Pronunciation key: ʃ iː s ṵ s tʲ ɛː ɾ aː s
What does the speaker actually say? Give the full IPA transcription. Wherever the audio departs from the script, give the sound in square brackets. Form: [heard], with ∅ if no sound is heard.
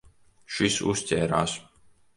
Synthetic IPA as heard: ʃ [i] s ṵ s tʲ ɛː ɾ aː s